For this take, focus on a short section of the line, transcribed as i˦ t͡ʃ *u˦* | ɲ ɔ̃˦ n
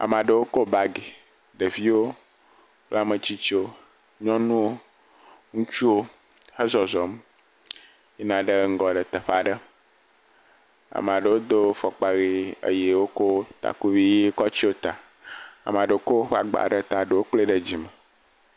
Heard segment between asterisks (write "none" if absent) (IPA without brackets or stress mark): o˦